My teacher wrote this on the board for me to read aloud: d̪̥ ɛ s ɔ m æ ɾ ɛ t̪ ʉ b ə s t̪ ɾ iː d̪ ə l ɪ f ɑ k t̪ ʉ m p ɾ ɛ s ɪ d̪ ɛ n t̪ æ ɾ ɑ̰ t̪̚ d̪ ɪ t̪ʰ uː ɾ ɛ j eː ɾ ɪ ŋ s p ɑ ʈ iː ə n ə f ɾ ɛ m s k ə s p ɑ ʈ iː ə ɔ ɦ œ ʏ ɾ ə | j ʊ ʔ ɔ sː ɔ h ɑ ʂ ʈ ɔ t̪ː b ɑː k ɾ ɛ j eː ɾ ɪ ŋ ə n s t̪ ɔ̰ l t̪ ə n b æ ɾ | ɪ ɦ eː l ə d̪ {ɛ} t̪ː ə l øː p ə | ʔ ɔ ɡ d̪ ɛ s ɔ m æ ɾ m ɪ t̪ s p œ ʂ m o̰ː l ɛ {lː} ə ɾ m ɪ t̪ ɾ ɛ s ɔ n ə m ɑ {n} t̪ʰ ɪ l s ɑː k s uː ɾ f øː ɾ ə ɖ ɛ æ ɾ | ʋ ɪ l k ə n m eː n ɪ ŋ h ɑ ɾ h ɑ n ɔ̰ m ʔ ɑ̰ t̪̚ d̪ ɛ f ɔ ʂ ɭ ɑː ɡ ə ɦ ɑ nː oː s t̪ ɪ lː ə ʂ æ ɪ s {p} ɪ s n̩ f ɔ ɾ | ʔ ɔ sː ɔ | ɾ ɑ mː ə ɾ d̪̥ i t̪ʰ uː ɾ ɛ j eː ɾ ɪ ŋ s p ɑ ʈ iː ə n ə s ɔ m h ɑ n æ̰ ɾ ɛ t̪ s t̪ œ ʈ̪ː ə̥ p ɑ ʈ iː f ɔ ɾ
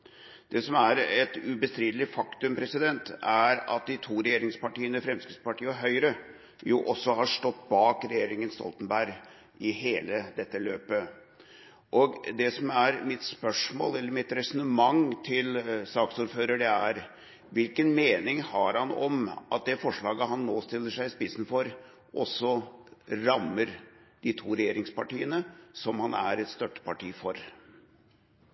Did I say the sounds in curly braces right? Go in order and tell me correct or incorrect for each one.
correct, correct, incorrect: ŋ, correct

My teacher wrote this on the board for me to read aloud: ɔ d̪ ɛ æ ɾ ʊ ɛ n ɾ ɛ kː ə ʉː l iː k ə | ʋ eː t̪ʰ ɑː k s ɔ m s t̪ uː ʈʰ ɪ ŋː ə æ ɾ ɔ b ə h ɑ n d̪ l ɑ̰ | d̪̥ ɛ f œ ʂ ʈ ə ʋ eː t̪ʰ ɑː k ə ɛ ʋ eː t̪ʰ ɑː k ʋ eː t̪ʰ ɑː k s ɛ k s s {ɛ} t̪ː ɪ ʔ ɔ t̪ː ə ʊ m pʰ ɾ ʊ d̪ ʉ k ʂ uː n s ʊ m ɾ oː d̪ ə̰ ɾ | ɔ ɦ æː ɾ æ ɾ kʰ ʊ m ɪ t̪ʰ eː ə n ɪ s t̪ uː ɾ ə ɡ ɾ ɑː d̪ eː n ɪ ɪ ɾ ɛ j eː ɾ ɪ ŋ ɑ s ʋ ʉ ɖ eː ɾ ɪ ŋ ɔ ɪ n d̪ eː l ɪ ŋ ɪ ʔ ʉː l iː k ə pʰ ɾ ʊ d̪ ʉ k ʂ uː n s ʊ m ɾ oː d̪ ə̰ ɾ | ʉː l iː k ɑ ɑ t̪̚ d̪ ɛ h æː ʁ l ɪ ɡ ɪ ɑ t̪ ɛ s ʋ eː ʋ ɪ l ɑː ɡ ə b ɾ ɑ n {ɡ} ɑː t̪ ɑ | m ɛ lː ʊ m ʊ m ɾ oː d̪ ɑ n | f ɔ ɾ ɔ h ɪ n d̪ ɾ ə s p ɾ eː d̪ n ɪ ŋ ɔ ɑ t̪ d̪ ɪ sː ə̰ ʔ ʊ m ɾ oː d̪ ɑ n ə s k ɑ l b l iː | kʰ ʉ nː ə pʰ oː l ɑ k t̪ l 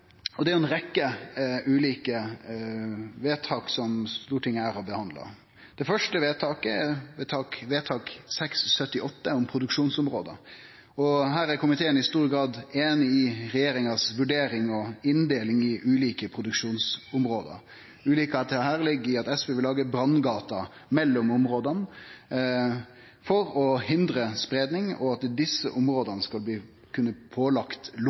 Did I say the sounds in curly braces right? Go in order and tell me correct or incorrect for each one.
incorrect: œ, correct

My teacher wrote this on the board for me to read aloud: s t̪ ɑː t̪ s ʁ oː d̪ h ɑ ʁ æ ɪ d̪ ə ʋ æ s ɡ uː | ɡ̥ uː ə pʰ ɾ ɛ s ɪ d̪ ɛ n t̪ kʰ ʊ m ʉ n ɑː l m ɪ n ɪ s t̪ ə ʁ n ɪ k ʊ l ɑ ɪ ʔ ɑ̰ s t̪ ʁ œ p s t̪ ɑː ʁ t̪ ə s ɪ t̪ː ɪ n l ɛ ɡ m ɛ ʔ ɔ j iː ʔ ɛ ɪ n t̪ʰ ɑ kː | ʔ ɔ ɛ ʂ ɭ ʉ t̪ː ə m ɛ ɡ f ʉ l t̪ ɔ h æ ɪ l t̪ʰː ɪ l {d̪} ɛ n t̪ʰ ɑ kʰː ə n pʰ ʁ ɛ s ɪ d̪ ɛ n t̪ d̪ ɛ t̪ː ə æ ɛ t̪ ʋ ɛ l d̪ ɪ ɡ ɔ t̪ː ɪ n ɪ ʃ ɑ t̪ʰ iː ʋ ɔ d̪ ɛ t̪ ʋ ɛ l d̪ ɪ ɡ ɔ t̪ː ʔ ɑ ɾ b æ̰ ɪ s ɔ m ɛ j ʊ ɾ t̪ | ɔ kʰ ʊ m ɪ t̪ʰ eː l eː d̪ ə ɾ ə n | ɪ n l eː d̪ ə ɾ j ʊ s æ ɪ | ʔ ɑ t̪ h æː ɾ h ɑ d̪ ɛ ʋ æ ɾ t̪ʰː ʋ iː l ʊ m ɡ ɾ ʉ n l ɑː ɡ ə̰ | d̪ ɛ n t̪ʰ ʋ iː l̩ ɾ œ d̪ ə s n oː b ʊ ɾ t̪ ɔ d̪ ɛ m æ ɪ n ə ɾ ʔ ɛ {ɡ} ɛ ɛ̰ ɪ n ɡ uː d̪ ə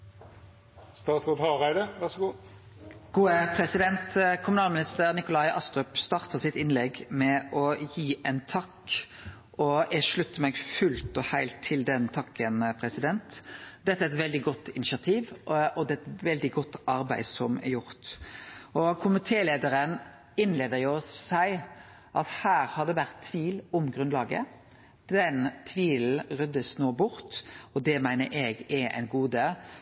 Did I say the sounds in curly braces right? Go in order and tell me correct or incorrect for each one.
correct, correct

